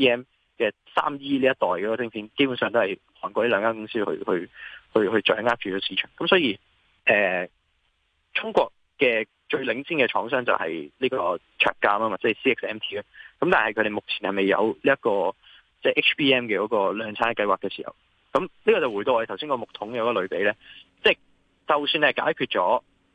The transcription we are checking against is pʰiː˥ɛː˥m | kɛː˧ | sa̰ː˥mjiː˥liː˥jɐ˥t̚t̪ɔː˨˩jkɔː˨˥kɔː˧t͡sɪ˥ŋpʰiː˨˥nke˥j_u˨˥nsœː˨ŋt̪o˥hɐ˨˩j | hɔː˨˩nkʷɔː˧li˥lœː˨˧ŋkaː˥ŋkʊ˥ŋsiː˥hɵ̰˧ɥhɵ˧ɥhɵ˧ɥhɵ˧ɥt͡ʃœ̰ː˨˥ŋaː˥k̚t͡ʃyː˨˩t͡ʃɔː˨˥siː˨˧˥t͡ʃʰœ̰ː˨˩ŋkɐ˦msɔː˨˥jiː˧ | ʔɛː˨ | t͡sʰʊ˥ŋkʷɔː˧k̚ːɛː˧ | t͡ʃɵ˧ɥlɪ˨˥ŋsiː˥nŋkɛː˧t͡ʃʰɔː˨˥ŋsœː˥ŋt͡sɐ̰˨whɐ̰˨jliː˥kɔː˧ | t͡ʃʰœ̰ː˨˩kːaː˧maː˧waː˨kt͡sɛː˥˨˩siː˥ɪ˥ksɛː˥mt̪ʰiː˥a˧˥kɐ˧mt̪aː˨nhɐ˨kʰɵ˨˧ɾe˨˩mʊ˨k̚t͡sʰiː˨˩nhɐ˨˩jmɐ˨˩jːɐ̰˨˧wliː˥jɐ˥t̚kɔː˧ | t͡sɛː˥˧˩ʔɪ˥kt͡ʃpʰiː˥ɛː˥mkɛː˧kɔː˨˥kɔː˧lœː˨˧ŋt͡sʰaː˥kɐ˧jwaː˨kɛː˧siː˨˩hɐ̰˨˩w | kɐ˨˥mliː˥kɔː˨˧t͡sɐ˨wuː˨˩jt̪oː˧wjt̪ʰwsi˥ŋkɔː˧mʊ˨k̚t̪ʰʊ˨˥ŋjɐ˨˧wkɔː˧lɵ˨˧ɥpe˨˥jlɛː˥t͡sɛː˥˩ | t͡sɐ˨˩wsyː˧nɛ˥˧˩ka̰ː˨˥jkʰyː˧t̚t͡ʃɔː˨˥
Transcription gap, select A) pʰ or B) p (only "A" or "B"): B